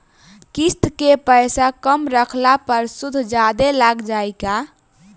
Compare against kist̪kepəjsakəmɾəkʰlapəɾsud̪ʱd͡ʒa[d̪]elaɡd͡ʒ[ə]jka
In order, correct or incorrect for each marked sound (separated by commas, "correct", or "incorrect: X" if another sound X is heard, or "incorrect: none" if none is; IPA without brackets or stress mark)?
correct, incorrect: a